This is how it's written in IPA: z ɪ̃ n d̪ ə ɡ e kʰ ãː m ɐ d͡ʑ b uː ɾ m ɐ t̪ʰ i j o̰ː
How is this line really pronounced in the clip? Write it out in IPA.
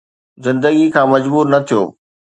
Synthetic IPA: z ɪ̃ n d̪ ə ɡ i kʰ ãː m ɐ d͡ʑ b uː ɾ n ɐ t̪ʰ i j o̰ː